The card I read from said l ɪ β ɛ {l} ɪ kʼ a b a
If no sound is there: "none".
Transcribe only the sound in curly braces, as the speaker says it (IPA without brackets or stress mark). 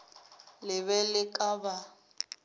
l